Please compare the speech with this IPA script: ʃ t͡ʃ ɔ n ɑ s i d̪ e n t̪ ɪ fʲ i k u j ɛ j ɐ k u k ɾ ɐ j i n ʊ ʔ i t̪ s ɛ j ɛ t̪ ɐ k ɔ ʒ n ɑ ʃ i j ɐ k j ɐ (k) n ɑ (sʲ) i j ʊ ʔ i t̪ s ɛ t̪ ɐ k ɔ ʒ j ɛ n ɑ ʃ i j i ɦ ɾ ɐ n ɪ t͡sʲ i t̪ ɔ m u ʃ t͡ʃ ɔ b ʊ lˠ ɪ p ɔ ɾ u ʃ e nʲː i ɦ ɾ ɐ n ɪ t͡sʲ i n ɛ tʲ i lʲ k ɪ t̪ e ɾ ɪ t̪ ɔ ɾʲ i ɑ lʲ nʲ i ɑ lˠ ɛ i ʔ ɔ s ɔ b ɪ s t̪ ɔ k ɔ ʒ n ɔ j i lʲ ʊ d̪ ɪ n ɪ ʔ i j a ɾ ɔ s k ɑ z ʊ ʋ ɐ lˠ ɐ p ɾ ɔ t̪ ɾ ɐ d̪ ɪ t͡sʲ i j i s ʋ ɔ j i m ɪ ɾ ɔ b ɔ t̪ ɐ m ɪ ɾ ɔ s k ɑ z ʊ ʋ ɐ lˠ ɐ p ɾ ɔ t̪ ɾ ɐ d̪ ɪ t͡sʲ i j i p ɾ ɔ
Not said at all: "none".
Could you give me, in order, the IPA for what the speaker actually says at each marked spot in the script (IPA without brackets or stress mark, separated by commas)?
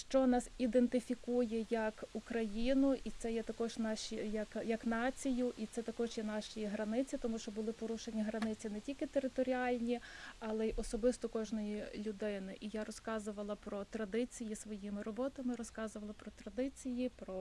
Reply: k, t͡sʲ